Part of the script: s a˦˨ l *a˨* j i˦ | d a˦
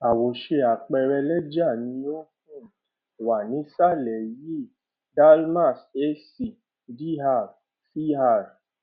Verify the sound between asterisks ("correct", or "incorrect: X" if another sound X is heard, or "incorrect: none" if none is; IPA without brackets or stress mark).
incorrect: ɛ˨